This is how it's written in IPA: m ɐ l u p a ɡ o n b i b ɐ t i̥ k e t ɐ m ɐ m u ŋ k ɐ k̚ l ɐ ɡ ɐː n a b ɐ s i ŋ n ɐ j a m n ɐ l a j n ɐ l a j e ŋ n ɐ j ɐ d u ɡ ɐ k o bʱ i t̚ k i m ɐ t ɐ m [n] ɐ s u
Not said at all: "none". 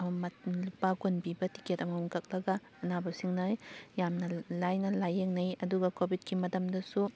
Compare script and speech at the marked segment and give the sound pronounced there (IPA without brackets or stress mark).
d